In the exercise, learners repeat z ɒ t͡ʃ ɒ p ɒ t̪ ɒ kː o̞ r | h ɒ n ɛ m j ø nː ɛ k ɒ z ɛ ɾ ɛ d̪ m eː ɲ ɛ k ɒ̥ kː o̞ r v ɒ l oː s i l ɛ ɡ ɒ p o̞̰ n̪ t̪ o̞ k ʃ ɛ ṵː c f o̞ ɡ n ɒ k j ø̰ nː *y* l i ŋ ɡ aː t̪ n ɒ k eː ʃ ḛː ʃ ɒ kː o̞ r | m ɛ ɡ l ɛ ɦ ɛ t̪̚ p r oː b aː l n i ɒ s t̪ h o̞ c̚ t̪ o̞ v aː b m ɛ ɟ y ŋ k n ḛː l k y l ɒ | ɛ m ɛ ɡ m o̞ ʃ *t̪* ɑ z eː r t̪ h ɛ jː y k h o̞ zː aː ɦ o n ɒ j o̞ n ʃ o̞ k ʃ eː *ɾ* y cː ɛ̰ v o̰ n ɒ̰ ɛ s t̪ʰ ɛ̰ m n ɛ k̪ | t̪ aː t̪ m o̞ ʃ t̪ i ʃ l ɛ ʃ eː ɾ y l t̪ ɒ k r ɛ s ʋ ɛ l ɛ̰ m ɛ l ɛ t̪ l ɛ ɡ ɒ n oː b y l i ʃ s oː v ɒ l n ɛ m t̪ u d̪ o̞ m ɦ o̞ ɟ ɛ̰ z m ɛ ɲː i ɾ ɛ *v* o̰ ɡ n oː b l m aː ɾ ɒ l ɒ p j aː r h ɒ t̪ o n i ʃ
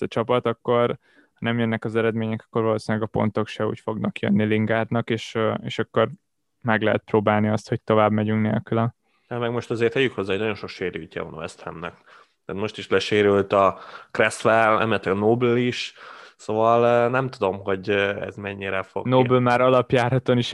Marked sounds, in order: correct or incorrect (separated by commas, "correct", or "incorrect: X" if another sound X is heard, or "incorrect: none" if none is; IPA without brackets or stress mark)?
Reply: incorrect: i, correct, correct, incorrect: f